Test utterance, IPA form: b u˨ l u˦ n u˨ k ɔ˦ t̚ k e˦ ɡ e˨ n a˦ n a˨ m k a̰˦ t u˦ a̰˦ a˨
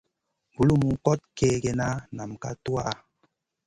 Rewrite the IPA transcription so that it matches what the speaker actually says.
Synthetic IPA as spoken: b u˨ l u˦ m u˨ k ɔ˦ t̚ k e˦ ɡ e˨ n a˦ n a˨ m k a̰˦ t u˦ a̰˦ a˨